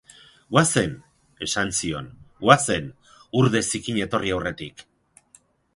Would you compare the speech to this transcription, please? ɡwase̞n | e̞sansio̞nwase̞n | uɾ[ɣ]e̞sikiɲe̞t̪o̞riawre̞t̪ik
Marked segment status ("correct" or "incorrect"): incorrect